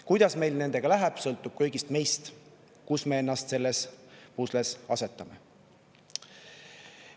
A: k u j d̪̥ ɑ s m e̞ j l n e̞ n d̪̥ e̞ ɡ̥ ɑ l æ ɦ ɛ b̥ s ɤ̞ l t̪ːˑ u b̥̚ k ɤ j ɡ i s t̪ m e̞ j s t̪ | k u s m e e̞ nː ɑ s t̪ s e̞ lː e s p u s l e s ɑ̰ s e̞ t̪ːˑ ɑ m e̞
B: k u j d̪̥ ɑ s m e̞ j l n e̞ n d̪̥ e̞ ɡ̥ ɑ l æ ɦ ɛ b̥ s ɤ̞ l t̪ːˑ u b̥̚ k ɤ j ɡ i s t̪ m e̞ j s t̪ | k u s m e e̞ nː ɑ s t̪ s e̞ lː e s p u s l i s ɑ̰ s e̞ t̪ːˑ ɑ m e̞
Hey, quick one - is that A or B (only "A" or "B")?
A